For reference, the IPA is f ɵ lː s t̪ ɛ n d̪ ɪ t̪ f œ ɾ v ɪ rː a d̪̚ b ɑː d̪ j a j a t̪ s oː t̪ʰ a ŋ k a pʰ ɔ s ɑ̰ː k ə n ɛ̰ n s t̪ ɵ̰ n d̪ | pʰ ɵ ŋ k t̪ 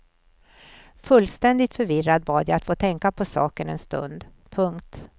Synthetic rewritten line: f ɵ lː s t̪ ɛ n d̪ ɪ t̪ f œ ɾ v ɪ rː a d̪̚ b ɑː d̪ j a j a t̪ f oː t̪ʰ ɛ ŋ k a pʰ ɔ s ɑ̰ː k ə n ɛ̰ n s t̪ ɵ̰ n d̪ | pʰ ɵ ŋ k t̪